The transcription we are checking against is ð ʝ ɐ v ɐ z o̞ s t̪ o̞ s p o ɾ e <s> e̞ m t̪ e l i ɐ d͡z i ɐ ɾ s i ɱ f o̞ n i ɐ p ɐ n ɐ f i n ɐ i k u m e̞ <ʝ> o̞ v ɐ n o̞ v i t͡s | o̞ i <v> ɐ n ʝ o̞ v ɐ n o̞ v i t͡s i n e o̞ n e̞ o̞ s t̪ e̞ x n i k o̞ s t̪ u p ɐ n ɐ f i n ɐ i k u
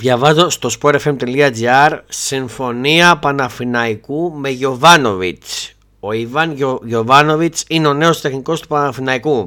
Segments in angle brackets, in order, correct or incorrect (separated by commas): incorrect, correct, correct